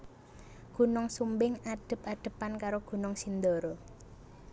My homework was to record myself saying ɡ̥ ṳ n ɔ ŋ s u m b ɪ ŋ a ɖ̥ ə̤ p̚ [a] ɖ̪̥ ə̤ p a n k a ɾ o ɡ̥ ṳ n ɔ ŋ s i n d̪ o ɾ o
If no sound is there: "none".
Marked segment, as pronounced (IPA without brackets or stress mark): a